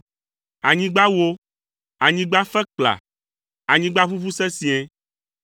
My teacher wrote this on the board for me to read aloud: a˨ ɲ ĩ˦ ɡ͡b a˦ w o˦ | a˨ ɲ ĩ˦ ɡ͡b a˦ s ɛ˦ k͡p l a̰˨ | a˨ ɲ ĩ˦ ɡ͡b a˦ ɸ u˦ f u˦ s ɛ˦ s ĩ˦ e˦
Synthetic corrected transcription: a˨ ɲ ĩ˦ ɡ͡b a˦ w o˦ | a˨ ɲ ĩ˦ ɡ͡b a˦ f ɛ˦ k͡p l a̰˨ | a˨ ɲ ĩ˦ ɡ͡b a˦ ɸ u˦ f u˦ s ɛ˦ s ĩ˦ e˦